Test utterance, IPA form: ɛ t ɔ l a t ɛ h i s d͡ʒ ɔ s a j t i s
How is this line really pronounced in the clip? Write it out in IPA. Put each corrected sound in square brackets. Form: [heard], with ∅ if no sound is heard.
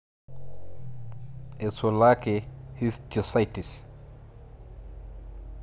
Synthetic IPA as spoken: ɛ [s] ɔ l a [k] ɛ h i s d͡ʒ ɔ s a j t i s